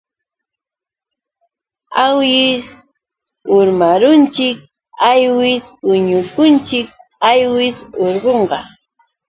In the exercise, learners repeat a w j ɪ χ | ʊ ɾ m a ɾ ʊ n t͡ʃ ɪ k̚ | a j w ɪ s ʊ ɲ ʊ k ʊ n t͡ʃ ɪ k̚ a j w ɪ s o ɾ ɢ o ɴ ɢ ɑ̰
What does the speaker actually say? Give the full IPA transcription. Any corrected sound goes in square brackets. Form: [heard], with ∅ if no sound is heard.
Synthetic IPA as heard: a w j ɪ [s] | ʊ ɾ m a ɾ ʊ n t͡ʃ ɪ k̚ | a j w ɪ s ʊ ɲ ʊ k ʊ n t͡ʃ ɪ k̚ a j w ɪ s o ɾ ɢ o ɴ ɢ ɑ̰